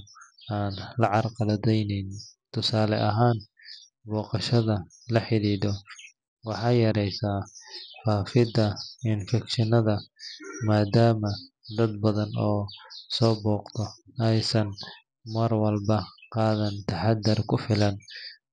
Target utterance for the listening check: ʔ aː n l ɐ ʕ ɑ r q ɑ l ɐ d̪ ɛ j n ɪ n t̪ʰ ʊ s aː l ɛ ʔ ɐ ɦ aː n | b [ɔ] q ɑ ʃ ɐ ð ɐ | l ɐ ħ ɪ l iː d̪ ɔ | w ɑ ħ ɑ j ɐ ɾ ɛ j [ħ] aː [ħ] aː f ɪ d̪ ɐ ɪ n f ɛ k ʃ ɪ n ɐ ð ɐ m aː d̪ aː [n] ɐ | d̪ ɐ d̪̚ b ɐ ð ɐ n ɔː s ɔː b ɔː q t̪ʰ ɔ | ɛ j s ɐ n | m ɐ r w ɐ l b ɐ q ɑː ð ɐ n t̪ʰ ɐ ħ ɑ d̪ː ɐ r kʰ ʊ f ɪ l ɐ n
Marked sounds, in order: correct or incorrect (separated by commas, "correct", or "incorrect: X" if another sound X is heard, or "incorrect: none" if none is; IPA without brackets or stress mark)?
incorrect: ɔː, incorrect: s, incorrect: f, incorrect: m